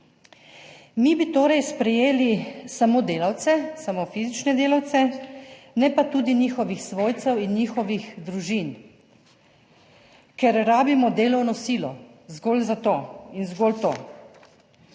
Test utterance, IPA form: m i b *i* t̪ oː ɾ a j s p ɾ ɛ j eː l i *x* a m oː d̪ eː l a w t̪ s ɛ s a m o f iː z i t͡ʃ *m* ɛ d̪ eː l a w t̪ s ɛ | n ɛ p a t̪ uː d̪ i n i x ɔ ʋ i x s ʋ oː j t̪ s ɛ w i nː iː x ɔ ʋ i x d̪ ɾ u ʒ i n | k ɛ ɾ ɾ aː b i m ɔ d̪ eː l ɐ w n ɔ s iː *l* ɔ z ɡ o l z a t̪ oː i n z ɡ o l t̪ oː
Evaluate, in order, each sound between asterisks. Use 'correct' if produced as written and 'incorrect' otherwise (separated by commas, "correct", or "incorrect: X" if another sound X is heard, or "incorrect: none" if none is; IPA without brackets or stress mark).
correct, incorrect: s, incorrect: n, correct